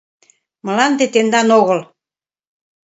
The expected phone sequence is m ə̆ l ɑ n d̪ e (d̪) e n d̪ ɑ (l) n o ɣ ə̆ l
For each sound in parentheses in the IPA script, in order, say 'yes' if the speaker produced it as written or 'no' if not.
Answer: no, no

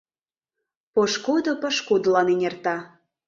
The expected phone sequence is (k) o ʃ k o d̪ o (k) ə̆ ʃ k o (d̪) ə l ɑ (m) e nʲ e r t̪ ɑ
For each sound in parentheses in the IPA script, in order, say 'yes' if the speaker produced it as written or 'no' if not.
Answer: no, no, yes, no

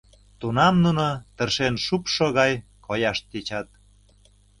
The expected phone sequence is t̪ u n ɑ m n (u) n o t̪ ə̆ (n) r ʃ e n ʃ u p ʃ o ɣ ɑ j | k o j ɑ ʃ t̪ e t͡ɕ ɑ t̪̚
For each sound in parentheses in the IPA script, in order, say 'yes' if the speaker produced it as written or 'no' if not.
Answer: yes, no

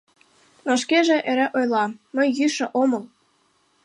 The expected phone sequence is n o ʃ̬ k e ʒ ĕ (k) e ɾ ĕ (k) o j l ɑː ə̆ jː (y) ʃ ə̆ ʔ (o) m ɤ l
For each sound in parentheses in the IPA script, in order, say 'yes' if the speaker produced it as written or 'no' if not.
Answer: no, no, yes, yes

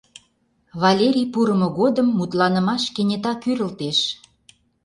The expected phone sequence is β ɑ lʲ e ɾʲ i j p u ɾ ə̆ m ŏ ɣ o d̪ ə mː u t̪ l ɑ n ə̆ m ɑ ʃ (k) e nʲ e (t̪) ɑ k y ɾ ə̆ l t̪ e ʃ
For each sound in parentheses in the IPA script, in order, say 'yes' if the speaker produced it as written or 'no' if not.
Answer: yes, yes

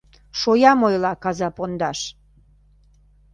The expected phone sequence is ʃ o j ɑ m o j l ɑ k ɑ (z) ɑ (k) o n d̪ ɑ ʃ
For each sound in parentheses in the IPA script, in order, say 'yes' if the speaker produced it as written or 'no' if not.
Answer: yes, no

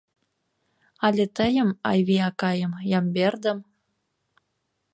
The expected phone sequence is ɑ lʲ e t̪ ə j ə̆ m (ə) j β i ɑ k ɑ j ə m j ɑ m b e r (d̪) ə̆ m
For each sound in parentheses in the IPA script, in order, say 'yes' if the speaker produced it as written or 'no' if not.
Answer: no, yes

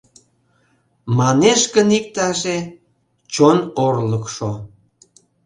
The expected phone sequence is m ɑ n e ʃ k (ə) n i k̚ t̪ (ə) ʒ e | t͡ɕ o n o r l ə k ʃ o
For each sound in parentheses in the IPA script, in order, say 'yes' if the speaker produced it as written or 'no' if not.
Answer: yes, no

